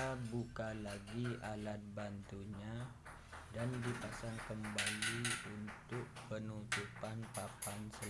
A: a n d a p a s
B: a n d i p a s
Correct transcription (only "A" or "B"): B